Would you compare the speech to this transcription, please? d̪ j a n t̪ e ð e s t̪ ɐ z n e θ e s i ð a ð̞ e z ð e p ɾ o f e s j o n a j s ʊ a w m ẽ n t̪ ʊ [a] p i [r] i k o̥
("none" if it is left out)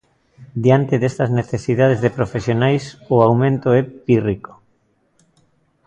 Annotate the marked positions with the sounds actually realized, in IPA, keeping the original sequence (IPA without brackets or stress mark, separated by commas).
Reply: ɛ, r